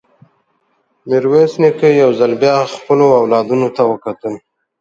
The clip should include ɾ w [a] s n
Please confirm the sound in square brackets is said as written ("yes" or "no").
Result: no